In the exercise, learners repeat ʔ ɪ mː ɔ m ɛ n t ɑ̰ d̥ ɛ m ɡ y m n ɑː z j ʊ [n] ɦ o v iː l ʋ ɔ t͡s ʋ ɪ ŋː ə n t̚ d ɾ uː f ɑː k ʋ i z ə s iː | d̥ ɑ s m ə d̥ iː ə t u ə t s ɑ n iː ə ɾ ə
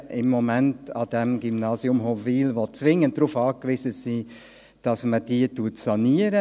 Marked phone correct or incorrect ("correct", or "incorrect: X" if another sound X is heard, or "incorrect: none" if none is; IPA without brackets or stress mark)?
incorrect: m